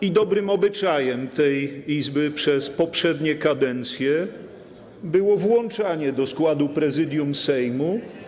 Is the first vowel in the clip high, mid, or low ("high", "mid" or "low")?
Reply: high